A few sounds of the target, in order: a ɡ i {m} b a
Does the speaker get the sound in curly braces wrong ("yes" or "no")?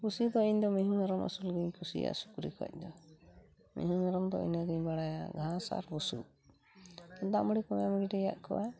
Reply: yes